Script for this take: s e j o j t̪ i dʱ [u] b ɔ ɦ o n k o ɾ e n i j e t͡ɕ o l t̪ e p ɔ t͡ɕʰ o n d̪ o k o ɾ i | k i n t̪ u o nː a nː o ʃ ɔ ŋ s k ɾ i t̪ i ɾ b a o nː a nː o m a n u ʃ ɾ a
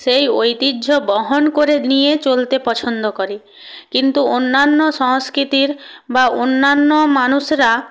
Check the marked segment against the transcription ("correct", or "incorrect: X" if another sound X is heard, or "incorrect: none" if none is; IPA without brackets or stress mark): incorrect: o